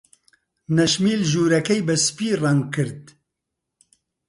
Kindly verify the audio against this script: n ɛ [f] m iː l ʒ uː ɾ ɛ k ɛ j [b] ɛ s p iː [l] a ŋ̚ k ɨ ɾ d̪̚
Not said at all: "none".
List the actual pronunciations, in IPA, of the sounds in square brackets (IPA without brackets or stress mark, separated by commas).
ʃ, b, r